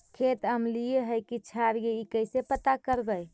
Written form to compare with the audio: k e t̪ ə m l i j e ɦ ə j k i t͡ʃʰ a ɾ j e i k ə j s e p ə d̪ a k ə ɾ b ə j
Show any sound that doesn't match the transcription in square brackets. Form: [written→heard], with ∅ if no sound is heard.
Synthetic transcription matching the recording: [k→kʰ] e t̪ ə m l i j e ɦ ə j k i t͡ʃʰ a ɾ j e i k ə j s e p ə [d̪→t̪] a k ə ɾ b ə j